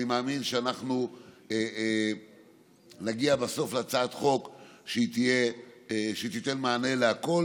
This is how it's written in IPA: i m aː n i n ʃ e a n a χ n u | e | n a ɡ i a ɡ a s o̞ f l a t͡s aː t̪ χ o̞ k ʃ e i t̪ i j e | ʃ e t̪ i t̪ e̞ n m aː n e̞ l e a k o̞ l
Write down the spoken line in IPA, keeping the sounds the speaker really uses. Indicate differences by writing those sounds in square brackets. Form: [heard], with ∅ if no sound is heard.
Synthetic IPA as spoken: i m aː [m] i n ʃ e a n a χ n u | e | n a ɡ i a [b] a s o̞ f l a t͡s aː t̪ χ o̞ k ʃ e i t̪ i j e | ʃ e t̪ i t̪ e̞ n m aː n e̞ l e a k o̞ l

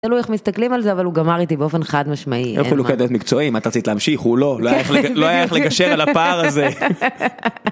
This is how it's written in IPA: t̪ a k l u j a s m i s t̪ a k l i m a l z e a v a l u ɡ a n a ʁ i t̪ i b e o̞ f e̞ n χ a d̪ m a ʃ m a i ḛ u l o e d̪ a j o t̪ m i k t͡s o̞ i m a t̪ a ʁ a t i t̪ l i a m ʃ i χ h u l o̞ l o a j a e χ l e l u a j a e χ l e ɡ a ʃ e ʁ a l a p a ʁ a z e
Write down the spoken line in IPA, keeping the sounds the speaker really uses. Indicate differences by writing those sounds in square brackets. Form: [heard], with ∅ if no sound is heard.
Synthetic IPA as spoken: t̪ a [∅] l u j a [χ] m i s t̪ a k l i m a l z e a v a l u ɡ a [m] a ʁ i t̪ i b e o̞ f e̞ n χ a d̪ m a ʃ m a i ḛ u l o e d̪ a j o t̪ m i k t͡s o̞ i m a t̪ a ʁ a [t͡s] i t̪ l [e] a m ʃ i χ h u l o̞ l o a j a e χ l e l [o] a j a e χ l e ɡ a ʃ e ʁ a l a p a ʁ a z e

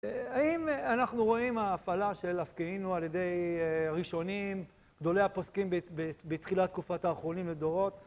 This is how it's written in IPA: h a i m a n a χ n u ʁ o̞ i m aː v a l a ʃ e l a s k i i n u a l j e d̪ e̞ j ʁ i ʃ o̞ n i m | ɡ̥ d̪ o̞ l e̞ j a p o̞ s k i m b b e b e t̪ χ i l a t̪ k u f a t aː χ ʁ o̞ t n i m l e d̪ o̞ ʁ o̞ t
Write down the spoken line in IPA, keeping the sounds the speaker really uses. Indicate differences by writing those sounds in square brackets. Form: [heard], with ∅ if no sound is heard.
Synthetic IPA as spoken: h a i m a n a χ n u ʁ o̞ i m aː [f] a l a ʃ e l a [f] k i i n u a l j e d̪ e̞ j ʁ i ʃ o̞ n i m | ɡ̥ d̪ o̞ l e̞ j a p o̞ s k i m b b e b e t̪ χ i l a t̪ k u f a t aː χ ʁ o̞ [∅] n i m l e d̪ o̞ ʁ o̞ t

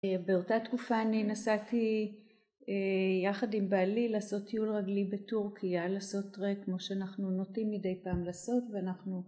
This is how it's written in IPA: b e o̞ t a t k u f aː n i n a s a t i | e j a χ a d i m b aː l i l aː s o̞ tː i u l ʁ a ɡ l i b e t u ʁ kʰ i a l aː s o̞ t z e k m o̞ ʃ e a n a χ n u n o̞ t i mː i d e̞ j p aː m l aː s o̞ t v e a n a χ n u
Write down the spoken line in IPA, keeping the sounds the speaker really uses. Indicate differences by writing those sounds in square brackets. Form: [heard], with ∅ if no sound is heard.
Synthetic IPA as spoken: b e o̞ t a t k u f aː n i n a s a t i | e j a χ a d i m b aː l i l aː s o̞ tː i u l ʁ a ɡ l i b e t u ʁ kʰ i a l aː s o̞ t [ʁ] e k m o̞ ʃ e a n a χ n u n o̞ t i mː i d e̞ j p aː m l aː s o̞ t v e a n a χ n u

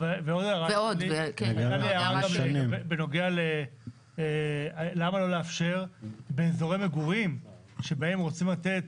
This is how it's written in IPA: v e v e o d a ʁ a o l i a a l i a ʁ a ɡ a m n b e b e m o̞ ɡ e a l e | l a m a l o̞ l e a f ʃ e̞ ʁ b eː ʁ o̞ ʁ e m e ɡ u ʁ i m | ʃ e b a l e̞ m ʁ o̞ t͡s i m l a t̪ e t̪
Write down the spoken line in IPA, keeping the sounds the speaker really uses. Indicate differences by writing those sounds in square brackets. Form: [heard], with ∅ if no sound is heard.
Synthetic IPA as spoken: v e v e o d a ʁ a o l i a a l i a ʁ a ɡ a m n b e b e [n] o̞ ɡ e a l e | l a m a l o̞ l e a f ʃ e̞ ʁ b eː [z] o̞ ʁ e m e ɡ u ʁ i m | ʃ e b a [∅] e̞ m ʁ o̞ t͡s i m l a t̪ e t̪

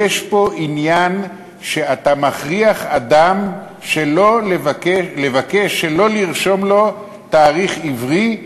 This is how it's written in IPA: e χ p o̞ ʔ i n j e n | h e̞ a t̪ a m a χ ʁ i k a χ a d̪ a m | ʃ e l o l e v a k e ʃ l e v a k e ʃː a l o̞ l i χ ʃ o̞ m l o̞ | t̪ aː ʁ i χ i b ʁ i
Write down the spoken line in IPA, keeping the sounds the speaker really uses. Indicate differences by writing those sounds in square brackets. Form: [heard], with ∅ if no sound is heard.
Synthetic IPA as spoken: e [ʃ] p o̞ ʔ i n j [a] n | [ʃ] e̞ a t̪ a m a χ ʁ i [∅] a χ a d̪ a m | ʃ e l o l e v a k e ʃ l e v a k e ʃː [e] l o̞ l i [ʁ] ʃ o̞ m l o̞ | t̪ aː ʁ i χ i [v] ʁ i

